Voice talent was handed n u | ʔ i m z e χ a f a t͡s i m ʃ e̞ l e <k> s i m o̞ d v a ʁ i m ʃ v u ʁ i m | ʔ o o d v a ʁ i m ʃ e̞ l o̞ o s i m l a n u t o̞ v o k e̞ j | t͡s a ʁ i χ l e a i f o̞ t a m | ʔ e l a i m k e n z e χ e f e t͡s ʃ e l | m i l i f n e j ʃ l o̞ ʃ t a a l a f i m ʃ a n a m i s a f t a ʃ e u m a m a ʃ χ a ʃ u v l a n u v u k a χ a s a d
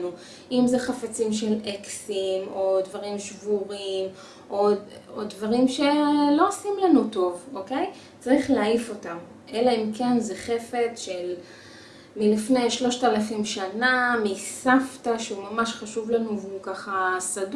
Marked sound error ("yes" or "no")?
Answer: no